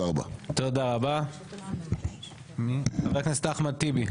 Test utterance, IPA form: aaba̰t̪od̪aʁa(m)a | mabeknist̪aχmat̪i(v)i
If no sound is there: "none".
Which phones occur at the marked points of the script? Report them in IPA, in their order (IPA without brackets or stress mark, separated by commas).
b, b